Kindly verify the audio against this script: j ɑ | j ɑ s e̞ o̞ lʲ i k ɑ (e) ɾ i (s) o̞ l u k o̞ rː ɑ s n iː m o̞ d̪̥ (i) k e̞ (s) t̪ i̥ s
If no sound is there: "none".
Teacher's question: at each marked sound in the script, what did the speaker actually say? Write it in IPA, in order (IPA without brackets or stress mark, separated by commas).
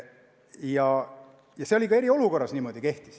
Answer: e, none, i, h